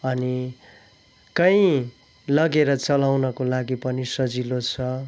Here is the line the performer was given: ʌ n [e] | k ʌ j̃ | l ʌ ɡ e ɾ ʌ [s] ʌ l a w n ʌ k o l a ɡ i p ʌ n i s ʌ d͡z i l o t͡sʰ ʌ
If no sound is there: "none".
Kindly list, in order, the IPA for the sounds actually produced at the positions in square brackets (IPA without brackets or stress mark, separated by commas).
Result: i, t͡s